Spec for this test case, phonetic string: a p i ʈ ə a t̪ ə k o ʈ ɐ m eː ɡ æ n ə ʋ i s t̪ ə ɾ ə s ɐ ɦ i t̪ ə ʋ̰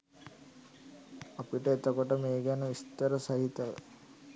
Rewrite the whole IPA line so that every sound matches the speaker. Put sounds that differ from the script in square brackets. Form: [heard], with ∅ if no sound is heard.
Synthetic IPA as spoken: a p i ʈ ə [e] t̪ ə k o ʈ [ə] m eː ɡ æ n ə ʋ i s t̪ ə ɾ ə s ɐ ɦ i t̪ ə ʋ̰